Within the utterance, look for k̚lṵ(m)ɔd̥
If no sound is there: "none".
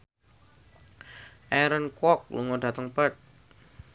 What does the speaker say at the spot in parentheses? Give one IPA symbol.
ŋ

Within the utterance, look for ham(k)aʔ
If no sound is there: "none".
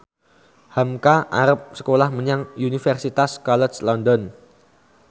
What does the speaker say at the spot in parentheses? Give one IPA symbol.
k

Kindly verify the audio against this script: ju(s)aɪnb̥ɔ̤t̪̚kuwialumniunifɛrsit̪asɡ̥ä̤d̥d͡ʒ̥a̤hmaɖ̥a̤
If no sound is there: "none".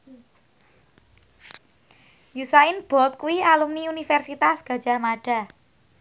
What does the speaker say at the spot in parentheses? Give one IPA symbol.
s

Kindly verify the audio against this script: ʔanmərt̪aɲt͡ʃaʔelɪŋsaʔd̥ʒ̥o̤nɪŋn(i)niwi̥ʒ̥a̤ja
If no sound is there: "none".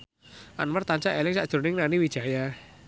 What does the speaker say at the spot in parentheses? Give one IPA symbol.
a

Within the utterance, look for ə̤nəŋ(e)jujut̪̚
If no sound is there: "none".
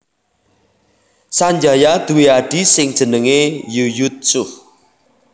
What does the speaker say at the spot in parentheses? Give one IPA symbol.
e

